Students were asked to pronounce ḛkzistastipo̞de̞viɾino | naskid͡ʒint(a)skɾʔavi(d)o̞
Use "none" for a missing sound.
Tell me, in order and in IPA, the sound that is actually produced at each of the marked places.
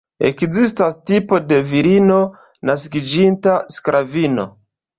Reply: a, n

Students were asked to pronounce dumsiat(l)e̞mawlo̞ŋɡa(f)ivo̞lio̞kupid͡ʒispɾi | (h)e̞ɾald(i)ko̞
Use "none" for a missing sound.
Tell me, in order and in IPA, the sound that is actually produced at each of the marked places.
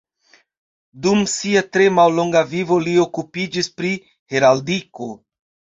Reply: ɾ, v, h, i

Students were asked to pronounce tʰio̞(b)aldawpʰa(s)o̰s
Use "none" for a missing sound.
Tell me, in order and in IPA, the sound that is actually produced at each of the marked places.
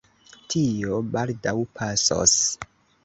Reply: b, s

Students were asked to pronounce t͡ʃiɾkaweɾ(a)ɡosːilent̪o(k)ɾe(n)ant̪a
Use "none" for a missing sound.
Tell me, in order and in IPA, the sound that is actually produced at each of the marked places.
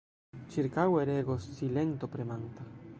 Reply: e, p, m

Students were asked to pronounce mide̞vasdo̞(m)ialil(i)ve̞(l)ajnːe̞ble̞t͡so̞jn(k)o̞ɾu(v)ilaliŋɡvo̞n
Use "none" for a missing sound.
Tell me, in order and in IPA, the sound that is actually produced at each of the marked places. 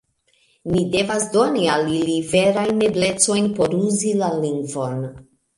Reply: n, i, ɾ, p, z

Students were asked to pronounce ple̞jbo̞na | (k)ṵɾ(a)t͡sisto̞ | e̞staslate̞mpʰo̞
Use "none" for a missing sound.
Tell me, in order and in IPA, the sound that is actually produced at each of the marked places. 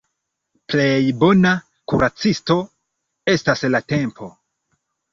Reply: k, a

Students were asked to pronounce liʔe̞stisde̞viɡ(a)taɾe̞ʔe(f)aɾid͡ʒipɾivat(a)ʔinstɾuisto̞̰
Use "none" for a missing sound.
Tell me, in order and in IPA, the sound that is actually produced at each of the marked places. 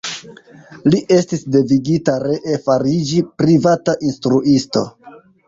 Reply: i, f, a

